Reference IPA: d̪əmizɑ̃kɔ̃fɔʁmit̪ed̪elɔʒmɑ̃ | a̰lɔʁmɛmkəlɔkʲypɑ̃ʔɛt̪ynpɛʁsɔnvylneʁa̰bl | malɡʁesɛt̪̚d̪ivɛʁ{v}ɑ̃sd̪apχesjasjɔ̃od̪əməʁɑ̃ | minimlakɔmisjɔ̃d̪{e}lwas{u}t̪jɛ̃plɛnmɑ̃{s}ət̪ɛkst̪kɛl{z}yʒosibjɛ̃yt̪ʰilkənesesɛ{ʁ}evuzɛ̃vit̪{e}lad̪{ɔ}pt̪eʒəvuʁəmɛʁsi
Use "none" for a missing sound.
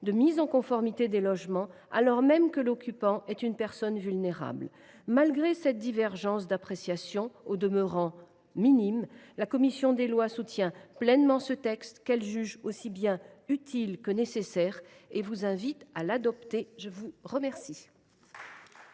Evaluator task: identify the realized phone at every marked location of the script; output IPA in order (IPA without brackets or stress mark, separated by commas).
ʒ, e, u, s, ʒ, ʁ, a, ɔ